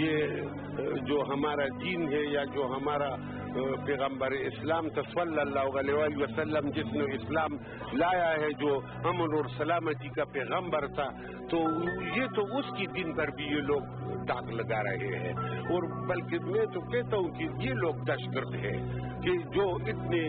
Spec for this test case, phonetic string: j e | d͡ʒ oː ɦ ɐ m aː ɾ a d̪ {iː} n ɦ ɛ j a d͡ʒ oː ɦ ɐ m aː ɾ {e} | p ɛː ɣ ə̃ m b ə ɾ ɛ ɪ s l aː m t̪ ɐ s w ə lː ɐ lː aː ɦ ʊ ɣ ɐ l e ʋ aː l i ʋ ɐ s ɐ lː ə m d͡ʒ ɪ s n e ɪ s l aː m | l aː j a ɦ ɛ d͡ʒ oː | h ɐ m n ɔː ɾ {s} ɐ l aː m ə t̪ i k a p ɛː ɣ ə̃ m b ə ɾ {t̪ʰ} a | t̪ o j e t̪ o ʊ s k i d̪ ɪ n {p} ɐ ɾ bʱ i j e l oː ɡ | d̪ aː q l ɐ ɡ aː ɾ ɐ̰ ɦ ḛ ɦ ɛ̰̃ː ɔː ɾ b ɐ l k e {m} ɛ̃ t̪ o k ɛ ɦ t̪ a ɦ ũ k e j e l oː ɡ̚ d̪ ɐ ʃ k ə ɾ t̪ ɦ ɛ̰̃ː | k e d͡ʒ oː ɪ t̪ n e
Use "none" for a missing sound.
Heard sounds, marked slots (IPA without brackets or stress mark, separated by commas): iː, a, s, t̪ʰ, p, m